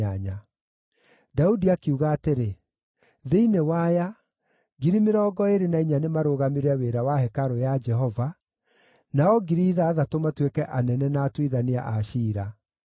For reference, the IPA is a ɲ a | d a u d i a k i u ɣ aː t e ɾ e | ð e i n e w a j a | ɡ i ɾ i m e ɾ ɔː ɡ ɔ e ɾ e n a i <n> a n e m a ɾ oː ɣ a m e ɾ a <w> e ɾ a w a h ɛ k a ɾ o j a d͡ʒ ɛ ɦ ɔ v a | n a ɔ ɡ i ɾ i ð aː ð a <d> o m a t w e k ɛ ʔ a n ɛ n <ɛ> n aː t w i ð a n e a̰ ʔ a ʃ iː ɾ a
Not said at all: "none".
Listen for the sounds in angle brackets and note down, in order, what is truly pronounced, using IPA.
ɲ, w, t, ɛ

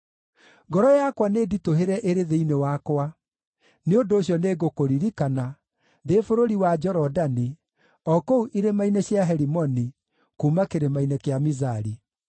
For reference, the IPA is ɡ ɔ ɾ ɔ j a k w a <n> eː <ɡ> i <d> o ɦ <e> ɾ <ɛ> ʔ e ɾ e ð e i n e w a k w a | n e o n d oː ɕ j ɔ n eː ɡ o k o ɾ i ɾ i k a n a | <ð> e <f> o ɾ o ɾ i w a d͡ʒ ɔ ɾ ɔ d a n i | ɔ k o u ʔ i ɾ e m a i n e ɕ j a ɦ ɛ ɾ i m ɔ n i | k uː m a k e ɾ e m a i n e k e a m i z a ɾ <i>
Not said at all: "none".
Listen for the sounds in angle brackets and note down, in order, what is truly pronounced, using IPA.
n, d, t, e, ɛ, ð, f, i

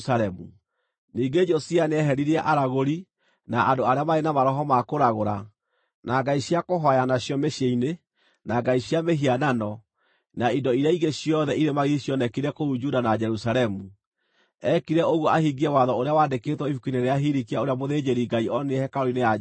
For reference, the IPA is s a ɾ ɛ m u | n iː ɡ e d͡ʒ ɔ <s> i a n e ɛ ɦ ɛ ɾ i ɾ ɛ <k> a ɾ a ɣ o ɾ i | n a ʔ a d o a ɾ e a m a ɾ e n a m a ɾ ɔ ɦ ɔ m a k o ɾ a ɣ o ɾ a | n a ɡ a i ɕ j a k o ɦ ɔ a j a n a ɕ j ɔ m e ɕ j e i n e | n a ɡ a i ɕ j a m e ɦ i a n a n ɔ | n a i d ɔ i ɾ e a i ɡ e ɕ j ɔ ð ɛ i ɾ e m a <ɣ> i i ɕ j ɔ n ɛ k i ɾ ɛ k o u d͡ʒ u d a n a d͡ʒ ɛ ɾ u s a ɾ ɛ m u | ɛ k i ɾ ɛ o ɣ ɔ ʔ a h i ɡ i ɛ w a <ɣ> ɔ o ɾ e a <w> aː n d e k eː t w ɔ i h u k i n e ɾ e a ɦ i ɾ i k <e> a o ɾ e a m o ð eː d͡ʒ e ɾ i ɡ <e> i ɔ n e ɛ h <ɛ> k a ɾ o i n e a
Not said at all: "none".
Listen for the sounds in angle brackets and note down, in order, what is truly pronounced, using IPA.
s, ʔ, ɣ, ð, w, i, a, ɛ

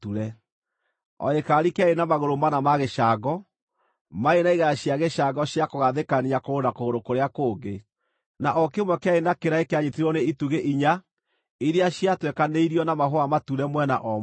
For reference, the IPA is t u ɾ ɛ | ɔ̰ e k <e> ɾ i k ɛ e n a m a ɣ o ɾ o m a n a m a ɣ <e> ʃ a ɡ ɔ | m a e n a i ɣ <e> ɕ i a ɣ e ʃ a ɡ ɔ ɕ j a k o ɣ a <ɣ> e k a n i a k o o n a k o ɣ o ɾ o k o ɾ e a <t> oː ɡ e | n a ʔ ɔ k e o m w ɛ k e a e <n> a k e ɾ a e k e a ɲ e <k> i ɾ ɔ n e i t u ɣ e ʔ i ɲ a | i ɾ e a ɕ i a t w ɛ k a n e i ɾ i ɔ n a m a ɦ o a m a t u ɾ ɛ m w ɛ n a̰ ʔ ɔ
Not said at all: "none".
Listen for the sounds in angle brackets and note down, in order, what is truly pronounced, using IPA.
a, e, a, ð, k, n, t

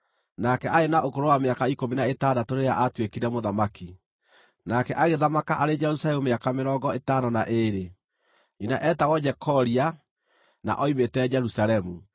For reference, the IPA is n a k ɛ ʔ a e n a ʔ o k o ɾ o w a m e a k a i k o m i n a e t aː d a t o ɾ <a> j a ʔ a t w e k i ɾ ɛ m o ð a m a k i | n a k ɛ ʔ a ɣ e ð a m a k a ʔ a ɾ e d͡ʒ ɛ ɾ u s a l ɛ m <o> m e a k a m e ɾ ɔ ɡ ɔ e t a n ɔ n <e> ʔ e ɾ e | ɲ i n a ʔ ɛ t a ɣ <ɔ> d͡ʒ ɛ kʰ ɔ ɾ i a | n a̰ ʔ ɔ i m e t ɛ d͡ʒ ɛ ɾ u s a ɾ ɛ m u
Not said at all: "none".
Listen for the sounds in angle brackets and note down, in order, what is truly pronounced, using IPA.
e, u, a, ɔ

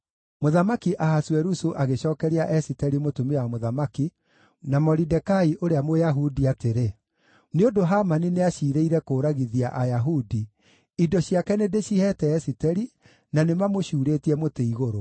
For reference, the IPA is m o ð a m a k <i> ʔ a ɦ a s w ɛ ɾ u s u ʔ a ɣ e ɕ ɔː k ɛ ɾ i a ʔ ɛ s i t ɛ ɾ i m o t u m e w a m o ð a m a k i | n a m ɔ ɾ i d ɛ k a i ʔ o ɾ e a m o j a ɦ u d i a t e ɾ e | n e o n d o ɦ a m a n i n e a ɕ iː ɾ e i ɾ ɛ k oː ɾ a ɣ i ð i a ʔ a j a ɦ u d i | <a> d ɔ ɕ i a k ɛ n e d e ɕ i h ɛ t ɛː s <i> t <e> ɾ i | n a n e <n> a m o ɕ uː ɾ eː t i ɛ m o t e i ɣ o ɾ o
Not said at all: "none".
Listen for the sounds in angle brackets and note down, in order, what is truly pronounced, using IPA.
i, i, i, ɛ, m

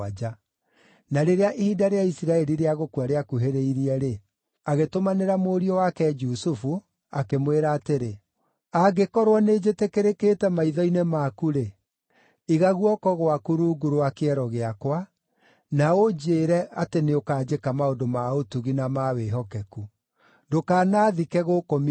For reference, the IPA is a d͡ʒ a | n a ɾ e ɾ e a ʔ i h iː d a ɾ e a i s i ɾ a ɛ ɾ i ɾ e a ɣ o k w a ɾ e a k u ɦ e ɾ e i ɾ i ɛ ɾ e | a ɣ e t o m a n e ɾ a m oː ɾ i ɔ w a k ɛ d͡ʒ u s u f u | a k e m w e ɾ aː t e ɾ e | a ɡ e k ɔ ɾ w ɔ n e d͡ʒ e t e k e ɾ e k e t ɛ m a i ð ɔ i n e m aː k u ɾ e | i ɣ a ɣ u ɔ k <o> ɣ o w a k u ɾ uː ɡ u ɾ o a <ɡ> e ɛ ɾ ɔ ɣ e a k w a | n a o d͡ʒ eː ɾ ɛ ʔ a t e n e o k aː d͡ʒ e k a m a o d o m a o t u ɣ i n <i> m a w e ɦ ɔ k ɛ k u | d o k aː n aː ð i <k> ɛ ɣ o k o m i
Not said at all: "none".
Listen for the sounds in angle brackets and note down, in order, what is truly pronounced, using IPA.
ɔ, k, a, k

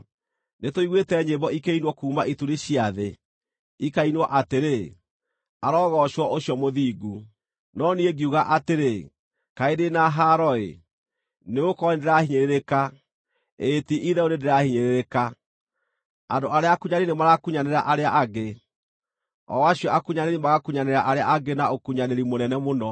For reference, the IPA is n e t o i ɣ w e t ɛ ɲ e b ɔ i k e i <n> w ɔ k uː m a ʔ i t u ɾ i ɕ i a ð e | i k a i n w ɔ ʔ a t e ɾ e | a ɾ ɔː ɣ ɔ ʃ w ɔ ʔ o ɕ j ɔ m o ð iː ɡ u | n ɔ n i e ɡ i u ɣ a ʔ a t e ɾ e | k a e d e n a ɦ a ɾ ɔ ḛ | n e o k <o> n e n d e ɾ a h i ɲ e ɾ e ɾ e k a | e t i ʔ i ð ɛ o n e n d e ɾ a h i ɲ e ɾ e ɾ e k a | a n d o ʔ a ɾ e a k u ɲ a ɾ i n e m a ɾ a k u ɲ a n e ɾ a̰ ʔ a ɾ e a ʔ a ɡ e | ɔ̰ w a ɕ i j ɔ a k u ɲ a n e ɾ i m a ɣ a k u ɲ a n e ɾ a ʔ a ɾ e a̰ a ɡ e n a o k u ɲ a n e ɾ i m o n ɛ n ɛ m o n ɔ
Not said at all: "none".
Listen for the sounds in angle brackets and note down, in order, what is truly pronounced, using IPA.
n, ɔ

